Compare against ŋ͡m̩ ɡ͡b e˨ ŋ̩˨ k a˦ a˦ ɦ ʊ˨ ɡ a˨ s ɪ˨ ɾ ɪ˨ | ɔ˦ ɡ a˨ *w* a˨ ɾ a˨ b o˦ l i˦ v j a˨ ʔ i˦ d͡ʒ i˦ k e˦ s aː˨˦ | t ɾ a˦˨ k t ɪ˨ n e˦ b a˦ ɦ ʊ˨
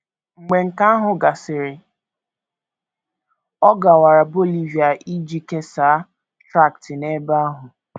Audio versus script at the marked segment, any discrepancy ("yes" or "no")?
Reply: no